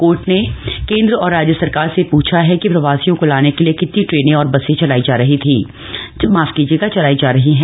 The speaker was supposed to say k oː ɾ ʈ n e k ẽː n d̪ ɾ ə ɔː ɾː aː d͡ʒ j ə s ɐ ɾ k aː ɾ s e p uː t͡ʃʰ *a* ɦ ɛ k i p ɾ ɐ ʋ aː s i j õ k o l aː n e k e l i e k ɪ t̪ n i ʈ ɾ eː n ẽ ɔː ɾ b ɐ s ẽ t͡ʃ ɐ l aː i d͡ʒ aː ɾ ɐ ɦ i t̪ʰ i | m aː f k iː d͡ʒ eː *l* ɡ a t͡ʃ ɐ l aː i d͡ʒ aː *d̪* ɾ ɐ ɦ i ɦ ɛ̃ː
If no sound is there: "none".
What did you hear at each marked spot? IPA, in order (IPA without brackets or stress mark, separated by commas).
a, none, none